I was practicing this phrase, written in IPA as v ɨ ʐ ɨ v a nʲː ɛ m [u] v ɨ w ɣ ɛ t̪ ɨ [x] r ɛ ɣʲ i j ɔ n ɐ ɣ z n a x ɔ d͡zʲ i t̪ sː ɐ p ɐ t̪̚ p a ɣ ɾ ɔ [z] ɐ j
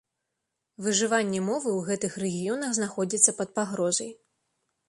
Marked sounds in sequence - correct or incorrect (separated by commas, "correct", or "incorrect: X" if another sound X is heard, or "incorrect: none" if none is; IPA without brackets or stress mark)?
incorrect: ɔ, correct, correct